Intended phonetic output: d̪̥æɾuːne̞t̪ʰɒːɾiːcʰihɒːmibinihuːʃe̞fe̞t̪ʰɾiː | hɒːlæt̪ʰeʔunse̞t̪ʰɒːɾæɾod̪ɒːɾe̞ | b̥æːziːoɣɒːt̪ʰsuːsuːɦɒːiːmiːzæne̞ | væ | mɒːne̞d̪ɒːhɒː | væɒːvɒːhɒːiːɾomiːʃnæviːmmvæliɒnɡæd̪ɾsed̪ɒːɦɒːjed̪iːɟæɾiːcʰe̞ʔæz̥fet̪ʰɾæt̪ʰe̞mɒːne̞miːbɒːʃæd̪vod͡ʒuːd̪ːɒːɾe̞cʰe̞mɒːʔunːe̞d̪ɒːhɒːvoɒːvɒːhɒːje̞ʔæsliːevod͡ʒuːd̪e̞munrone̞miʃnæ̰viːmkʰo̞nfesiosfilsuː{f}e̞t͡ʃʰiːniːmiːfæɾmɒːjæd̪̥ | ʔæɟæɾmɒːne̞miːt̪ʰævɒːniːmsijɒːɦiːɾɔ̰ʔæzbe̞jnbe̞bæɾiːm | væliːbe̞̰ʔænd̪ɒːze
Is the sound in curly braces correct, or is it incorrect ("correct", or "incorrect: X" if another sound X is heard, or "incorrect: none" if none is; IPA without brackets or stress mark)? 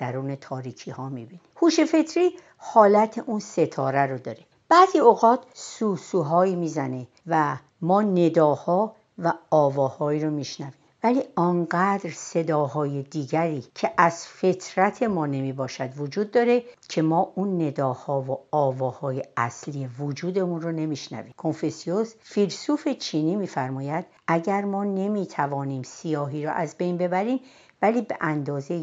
correct